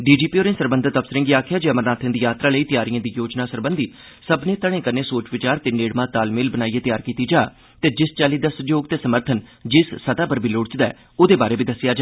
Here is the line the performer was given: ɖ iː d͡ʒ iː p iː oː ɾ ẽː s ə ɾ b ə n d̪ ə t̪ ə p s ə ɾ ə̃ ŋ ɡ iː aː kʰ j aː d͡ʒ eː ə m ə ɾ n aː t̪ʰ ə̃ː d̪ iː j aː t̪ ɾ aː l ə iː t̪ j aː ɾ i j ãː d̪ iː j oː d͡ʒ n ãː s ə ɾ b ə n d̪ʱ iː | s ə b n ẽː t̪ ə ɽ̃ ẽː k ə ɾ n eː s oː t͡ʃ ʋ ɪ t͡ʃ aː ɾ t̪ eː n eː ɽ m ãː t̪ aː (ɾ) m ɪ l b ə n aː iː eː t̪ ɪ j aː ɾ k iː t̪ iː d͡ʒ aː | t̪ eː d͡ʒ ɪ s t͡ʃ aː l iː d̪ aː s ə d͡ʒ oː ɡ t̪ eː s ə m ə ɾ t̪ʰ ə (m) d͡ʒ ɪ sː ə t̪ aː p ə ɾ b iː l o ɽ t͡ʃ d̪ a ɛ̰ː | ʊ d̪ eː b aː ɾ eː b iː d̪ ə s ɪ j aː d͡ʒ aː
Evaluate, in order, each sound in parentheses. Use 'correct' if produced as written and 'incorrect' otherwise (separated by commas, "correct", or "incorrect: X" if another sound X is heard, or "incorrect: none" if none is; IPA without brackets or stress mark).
incorrect: l, incorrect: n